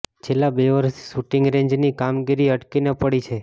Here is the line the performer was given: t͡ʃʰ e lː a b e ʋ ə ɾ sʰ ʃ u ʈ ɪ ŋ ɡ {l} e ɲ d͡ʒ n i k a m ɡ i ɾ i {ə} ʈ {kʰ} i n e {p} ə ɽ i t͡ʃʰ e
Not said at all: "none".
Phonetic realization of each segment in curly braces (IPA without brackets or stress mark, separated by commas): ɾ, ə, k, p